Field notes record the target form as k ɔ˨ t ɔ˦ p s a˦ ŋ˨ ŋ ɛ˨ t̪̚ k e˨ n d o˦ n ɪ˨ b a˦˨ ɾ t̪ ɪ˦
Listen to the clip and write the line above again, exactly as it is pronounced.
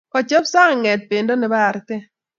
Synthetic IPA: k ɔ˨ t͡ʃ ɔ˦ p s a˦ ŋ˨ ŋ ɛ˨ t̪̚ p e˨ n d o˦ n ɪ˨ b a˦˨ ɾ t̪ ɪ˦